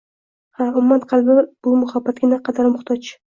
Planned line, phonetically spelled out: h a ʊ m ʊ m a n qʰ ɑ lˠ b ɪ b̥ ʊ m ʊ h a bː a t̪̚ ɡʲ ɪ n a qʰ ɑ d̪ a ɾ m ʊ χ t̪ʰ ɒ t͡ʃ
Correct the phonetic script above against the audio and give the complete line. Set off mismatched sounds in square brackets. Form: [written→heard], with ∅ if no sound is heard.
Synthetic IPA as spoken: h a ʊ m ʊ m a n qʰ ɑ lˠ b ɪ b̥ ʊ m ʊ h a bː a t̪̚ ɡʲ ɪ n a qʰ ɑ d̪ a ɾ m ʊ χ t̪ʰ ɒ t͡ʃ